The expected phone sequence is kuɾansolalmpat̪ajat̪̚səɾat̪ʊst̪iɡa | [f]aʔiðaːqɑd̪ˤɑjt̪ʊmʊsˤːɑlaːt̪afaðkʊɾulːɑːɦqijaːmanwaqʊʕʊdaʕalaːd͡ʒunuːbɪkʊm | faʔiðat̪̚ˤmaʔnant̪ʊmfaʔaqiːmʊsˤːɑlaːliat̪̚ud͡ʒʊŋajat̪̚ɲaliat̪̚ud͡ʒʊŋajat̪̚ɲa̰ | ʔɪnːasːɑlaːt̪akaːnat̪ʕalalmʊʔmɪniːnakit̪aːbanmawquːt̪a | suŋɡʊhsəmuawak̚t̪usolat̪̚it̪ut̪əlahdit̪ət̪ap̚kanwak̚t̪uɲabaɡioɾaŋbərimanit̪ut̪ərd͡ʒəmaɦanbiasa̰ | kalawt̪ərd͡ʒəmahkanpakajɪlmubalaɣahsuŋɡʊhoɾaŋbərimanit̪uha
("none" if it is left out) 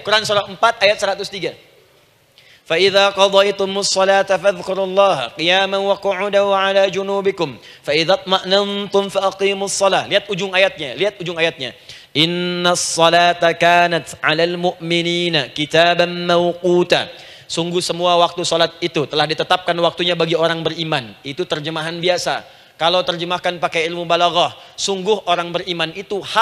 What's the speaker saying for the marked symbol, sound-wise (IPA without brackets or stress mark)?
f